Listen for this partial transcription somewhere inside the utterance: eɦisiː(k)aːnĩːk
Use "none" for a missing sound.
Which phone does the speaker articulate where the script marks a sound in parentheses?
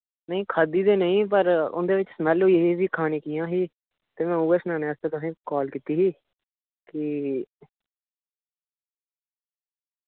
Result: kʰ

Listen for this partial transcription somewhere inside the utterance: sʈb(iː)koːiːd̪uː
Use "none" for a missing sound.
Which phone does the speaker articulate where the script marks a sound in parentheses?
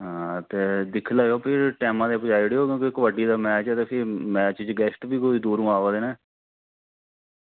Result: iː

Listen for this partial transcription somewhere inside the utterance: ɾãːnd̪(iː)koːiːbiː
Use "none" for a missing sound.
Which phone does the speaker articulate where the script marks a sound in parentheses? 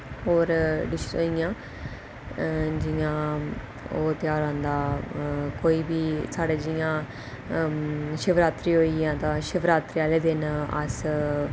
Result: aː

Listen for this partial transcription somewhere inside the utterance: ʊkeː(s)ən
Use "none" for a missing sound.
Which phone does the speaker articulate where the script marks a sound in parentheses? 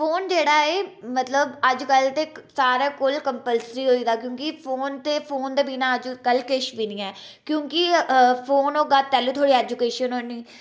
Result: ʃ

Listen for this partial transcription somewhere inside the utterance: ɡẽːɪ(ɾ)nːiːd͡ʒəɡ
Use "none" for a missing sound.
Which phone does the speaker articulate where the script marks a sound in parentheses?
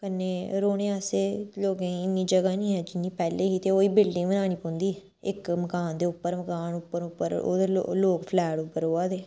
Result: none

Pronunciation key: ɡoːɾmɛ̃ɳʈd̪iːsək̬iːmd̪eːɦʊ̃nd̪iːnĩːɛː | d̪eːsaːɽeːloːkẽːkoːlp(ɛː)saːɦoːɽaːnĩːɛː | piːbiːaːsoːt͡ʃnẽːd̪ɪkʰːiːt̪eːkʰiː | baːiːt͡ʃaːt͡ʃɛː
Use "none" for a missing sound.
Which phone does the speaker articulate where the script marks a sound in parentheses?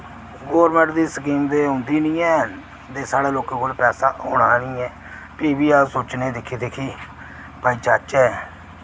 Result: ɛː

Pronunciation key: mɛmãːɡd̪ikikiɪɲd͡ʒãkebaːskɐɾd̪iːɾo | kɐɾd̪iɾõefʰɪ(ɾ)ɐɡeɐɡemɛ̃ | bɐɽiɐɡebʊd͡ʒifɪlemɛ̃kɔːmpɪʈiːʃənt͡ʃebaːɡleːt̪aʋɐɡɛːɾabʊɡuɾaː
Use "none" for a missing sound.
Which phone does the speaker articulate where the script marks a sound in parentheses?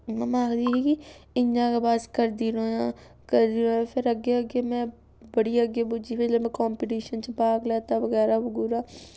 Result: ɾ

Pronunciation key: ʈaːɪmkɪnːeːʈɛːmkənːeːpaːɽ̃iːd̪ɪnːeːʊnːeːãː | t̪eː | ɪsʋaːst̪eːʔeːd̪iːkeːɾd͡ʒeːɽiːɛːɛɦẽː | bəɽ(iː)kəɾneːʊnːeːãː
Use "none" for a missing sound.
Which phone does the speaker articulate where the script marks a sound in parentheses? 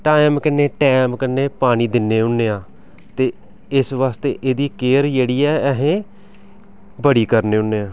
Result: iː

